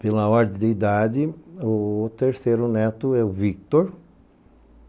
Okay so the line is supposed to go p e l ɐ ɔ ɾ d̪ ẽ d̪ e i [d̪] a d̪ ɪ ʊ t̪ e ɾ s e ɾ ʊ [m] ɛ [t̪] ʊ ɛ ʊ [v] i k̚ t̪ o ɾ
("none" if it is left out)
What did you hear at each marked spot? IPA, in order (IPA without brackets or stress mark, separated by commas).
d̪, n, t̪, v